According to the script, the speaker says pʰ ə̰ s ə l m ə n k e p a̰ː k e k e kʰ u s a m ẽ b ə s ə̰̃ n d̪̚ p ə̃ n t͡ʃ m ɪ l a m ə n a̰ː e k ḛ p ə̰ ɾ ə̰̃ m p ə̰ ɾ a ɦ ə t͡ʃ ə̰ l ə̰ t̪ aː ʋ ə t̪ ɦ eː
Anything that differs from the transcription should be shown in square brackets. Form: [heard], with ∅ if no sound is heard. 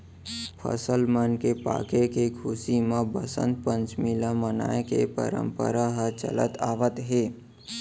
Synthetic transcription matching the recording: pʰ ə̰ s ə l m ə n k e p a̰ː k e k e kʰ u s [i] m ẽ b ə s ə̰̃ n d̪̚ p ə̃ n t͡ʃ m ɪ l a m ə n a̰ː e k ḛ p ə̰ ɾ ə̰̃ m p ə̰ ɾ a ɦ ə t͡ʃ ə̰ l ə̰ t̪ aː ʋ ə t̪ ɦ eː